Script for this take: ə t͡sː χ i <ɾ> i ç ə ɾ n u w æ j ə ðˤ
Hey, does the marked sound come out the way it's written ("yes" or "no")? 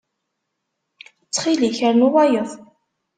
no